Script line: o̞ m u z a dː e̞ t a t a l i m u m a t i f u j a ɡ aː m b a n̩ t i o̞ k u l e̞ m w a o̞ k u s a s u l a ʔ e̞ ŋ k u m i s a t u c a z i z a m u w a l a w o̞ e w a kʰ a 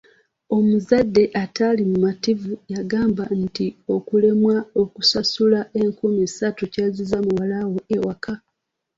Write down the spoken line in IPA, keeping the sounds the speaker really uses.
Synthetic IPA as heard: o̞ m u z a dː e̞ ʔ a t a l i m u m a t i v u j a ɡ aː m b a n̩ t i o̞ k u l e̞ m w a o̞ k u s a s u l a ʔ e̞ ŋ k u m i s a t u c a z i z a m u w a l a w o̞ e w a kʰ a